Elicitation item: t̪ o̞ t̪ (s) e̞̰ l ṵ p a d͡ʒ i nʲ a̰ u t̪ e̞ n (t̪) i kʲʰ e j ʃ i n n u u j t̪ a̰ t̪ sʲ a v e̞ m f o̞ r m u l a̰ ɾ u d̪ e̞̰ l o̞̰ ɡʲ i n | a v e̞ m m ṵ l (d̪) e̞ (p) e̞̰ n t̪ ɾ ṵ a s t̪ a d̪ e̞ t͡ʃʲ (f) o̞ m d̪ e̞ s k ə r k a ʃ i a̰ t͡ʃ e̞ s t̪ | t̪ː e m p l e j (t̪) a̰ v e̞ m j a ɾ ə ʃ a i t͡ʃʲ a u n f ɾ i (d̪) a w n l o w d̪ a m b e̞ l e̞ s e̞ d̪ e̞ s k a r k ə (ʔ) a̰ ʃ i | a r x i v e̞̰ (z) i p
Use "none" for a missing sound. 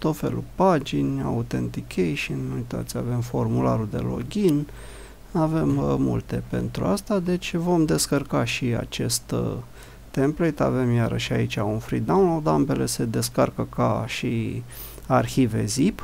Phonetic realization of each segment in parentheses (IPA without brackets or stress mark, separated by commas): f, t̪, t̪, p, v, t̪, d̪, k, z